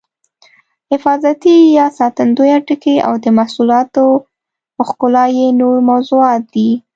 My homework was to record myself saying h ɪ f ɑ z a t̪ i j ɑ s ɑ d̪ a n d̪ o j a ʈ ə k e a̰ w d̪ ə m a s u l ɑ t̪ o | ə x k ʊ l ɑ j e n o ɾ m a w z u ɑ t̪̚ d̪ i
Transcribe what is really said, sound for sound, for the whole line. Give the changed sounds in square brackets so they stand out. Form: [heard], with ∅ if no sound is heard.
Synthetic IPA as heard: h ɪ f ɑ z a t̪ i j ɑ s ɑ [t̪] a n d̪ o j a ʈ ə k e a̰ w d̪ ə m a s u l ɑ t̪ o | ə x k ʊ l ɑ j e n o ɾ m a w z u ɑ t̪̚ d̪ i